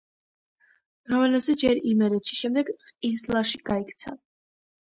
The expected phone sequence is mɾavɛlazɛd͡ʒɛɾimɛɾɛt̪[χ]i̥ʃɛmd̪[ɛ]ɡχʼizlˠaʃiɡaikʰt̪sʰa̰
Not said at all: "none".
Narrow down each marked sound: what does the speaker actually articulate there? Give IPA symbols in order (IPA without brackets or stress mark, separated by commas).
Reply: ʃ, ɛ